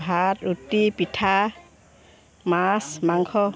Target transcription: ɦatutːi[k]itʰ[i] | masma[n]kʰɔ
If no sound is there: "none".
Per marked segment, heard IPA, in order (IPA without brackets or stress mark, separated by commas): p, a, ŋ